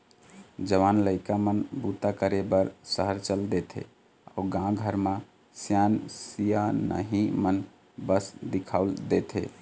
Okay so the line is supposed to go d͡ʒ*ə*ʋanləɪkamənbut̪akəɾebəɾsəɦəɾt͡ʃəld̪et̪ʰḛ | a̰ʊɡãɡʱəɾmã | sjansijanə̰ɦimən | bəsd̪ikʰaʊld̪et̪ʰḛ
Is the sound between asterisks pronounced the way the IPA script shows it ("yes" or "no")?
yes